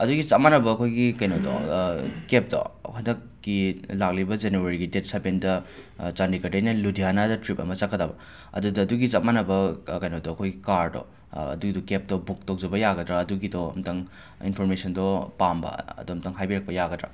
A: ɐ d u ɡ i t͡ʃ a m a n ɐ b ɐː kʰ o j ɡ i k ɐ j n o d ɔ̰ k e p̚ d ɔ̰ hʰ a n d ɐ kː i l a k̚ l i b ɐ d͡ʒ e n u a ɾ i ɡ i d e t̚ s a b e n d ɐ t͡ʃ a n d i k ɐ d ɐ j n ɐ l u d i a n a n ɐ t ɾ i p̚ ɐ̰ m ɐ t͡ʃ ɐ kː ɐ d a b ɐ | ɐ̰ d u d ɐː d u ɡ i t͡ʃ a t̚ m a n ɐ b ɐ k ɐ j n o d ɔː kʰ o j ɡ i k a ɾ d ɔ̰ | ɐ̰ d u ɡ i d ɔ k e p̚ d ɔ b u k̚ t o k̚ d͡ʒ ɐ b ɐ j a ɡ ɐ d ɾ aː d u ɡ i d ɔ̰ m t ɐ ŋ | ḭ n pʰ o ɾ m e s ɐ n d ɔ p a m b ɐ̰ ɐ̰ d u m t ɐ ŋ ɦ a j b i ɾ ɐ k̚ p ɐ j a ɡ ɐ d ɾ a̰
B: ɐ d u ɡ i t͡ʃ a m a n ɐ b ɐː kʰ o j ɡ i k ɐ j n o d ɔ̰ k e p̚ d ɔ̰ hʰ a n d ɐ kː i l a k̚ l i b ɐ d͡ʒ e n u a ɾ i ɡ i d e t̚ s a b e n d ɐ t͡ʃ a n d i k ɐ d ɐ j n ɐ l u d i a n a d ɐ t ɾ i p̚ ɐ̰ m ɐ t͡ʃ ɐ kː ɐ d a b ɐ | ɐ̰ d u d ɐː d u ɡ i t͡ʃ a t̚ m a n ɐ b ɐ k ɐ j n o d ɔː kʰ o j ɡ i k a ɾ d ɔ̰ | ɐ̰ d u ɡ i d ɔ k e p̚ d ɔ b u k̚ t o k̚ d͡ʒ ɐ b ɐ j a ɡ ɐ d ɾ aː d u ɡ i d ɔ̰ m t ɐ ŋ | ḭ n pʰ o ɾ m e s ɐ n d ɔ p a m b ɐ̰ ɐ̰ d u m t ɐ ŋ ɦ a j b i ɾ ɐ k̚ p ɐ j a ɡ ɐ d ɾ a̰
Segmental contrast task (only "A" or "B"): B